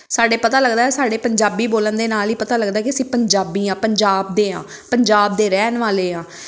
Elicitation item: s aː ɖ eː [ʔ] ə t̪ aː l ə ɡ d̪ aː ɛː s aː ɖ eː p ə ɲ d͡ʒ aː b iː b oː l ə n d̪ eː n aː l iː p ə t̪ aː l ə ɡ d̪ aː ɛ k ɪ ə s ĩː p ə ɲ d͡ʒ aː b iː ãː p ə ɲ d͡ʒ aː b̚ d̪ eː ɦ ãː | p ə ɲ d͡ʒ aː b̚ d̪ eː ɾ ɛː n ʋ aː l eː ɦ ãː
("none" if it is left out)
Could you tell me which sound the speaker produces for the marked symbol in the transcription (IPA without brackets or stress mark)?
p